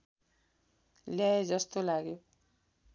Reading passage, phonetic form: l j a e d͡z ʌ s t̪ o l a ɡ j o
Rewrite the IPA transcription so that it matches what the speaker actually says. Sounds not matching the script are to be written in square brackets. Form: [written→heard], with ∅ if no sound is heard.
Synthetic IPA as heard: l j a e d͡z ʌ s t̪ o l a ɡ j o